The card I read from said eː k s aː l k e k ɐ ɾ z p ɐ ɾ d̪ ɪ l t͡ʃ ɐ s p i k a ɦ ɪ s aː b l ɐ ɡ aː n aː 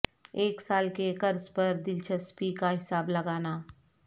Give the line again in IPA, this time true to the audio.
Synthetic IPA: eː k s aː l k e k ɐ ɾ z p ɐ ɾ d̪ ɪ l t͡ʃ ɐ s p i k a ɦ ɪ s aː b l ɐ ɡ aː n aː